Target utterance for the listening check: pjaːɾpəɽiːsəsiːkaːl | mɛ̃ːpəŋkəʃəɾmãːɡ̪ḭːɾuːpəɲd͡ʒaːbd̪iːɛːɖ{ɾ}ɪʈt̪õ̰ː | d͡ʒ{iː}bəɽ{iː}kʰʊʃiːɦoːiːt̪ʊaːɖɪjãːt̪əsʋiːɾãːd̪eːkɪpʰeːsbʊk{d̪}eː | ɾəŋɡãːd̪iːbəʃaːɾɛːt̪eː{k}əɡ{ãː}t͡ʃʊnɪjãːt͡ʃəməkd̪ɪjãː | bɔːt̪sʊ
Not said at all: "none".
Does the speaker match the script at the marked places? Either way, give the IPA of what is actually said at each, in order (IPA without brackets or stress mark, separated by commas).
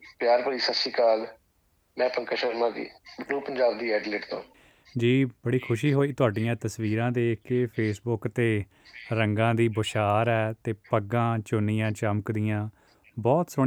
l, iː, iː, t̪, p, ãː